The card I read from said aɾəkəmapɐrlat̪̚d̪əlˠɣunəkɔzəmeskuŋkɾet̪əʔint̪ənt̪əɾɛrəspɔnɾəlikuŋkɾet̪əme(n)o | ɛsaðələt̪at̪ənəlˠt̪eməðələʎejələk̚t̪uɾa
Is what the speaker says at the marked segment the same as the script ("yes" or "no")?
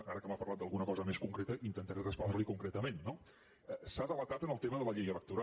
no